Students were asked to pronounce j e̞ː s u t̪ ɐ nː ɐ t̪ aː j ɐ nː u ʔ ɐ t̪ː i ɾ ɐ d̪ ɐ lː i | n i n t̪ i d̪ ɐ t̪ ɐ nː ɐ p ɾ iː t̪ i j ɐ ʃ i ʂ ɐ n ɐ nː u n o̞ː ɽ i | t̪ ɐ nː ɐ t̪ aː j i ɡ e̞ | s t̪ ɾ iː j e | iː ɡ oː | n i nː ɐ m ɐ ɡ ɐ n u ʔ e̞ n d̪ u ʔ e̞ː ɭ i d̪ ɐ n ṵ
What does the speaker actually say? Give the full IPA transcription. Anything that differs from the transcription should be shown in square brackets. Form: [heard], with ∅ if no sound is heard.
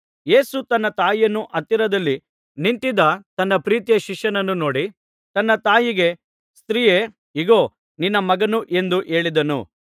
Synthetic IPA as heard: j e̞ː s u t̪ ɐ nː ɐ t̪ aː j ɐ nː u ʔ ɐ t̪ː i ɾ ɐ d̪ ɐ lː i | n i n t̪ i d̪ ɐ t̪ ɐ nː ɐ p ɾ iː t̪ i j ɐ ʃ i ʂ ɐ n ɐ nː u n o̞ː ɽ i | t̪ ɐ nː ɐ t̪ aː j i ɡ e̞ | s t̪ ɾ iː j e | [i] ɡ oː | n i nː ɐ m ɐ ɡ ɐ n u ʔ e̞ n d̪ u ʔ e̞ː ɭ i d̪ ɐ n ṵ